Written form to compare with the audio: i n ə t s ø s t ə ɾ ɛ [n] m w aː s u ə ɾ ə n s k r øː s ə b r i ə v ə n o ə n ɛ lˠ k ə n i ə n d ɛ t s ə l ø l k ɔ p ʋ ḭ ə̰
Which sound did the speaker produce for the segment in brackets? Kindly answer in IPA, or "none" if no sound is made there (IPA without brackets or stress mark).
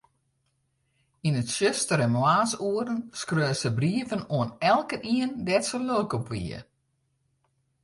n